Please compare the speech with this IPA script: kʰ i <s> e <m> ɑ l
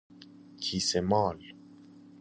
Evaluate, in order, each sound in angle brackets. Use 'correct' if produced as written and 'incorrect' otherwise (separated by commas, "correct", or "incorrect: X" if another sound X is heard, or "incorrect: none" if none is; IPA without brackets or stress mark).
correct, correct